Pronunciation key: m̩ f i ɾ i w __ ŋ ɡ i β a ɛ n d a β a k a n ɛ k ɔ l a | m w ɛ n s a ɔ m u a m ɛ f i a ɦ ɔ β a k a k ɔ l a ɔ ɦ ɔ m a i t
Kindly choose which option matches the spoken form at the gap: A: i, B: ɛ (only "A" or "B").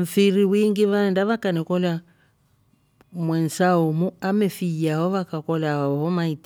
A